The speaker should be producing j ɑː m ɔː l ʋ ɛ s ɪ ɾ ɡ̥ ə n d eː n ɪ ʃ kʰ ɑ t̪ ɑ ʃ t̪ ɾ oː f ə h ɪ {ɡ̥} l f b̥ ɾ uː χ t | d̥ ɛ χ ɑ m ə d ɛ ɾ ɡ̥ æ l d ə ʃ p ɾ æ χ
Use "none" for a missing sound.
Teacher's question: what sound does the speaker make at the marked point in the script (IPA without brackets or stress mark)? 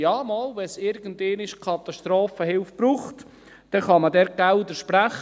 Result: none